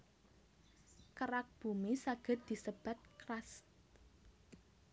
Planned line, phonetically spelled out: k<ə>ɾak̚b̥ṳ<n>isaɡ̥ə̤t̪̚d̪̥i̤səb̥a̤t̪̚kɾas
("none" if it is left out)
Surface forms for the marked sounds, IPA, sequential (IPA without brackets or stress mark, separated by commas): ə, m